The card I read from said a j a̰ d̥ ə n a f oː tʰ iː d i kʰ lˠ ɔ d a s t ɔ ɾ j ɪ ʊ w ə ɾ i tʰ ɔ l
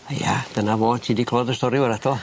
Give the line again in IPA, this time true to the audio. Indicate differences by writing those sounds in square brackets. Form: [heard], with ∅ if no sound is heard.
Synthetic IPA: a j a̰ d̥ ə n a [v] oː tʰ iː d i kʰ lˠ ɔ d [ə] s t ɔ ɾ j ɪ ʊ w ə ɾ [a] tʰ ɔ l